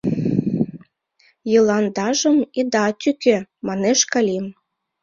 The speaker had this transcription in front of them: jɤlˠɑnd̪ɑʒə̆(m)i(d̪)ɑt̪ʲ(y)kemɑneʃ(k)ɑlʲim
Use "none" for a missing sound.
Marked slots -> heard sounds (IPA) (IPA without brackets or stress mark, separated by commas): m, d̪, y, k